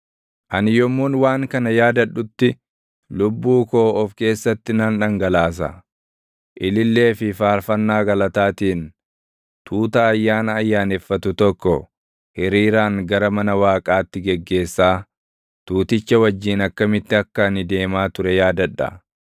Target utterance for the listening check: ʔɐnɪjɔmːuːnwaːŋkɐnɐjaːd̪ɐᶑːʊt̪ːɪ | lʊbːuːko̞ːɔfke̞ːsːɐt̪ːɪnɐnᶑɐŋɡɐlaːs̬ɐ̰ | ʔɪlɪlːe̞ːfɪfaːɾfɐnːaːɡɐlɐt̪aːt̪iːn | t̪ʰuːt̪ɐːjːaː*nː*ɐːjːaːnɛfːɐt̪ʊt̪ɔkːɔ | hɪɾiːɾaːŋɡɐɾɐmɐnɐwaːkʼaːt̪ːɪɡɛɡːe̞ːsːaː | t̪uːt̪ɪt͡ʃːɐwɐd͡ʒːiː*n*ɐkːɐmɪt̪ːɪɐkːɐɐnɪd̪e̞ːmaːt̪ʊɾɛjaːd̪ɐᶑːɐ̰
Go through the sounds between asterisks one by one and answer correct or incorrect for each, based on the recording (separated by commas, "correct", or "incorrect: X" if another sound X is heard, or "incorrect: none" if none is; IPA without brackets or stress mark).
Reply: incorrect: n, correct